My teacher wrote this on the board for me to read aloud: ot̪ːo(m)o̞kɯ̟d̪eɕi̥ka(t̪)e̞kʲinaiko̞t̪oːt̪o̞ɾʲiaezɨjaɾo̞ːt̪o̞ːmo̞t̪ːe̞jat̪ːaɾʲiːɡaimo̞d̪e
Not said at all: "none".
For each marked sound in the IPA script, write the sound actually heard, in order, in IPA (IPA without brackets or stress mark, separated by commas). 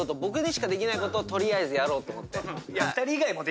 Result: b, d̪